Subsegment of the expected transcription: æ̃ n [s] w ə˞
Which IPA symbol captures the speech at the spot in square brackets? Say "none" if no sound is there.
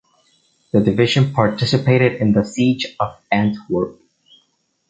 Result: t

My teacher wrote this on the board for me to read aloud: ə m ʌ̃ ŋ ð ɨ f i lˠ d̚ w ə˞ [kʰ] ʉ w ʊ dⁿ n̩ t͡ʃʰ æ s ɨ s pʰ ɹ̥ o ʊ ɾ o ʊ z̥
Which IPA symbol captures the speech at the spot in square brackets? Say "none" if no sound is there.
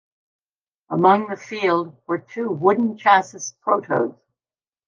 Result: tʰ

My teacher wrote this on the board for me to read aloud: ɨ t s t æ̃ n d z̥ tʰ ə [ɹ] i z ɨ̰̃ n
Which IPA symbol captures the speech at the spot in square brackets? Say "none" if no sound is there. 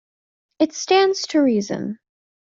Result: ɹ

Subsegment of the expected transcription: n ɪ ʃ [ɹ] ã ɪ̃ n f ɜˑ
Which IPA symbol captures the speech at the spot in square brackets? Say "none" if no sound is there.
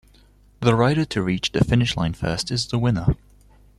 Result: l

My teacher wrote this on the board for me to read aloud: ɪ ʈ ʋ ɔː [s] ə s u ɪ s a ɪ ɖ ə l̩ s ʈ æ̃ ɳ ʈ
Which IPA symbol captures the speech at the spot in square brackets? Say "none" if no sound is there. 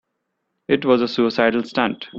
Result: z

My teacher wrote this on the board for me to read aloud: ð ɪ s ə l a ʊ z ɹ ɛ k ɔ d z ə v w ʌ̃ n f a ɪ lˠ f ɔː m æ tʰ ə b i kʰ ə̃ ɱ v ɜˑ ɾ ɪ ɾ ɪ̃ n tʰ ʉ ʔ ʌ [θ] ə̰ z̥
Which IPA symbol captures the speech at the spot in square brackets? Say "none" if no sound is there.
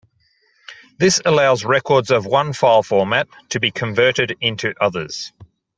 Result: ð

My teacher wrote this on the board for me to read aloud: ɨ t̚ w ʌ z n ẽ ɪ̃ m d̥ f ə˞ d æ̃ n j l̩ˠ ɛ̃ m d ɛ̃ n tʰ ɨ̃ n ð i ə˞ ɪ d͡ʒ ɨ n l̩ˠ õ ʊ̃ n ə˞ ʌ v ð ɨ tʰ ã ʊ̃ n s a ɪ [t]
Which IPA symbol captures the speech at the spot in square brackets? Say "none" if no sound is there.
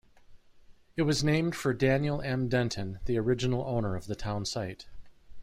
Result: t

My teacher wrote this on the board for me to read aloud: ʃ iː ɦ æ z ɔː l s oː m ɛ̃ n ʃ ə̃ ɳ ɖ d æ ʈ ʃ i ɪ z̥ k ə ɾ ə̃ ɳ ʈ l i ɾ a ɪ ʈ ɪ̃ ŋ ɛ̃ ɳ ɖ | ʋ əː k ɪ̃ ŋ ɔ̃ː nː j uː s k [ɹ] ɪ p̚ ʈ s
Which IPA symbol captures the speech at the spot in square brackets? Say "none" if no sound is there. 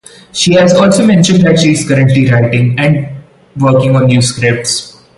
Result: ɾ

